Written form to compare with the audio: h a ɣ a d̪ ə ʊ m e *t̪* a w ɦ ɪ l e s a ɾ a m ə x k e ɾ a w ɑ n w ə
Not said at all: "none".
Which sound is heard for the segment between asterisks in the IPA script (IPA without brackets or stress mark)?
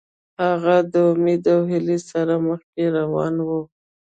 d̪